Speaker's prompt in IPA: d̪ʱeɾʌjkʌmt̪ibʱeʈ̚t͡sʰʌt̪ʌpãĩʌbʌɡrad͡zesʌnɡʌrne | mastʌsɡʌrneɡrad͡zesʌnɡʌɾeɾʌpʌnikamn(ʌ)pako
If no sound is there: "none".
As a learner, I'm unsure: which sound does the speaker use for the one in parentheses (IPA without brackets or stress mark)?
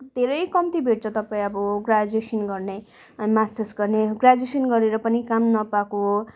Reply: ʌ